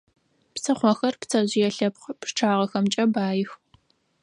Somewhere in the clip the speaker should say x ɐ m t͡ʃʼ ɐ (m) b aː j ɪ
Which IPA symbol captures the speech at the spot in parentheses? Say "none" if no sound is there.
none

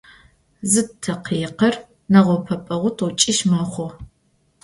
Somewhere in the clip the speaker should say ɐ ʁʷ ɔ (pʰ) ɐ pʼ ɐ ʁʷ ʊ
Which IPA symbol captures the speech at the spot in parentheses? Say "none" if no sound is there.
pʰ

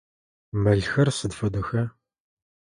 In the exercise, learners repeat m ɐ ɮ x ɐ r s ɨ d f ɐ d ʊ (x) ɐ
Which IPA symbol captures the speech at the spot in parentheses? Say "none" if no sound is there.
x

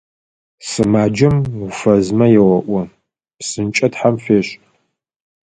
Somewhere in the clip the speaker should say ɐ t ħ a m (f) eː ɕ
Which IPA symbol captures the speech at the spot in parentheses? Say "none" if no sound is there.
f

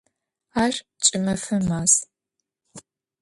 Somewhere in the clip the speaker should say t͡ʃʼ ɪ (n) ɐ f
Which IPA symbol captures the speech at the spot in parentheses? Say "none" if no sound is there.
m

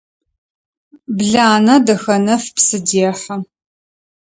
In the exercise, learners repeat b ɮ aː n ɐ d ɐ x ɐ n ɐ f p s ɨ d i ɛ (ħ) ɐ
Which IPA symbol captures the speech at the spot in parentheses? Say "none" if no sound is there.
ħ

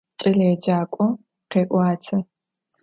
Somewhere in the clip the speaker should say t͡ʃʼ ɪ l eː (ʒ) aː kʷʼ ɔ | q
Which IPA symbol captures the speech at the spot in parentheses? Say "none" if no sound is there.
d͡ʒ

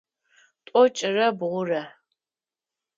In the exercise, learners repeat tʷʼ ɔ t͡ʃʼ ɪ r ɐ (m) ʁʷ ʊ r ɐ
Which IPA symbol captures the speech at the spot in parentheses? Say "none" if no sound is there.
b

